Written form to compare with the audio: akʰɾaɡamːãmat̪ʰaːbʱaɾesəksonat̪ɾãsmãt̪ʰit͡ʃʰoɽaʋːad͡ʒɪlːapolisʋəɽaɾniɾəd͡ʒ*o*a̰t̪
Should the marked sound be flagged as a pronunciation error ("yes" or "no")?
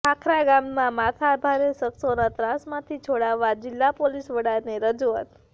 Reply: yes